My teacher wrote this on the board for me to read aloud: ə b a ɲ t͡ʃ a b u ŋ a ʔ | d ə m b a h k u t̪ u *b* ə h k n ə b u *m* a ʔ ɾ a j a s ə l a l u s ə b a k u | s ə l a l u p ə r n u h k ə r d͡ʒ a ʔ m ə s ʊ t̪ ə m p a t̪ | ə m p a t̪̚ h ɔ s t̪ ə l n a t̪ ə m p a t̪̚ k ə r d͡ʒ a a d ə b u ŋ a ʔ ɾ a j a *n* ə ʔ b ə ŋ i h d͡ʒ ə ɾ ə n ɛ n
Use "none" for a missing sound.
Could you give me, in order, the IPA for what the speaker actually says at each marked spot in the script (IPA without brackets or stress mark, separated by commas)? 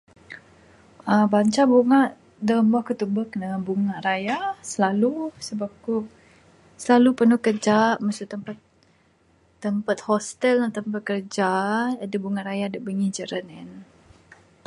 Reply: b, ŋ, d